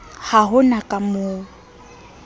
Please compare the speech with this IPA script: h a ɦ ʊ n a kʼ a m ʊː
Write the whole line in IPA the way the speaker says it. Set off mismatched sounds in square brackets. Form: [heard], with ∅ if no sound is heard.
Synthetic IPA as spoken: h a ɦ ʊ n a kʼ a m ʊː